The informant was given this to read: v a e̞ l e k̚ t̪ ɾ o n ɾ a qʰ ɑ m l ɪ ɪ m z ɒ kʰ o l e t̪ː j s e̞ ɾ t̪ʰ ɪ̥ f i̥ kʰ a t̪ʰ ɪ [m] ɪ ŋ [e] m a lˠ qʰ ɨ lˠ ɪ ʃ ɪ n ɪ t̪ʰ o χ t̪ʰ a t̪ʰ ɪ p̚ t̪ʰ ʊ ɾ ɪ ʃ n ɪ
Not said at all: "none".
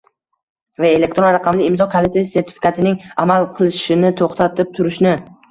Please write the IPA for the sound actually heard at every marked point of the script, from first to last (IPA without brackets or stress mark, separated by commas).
n, a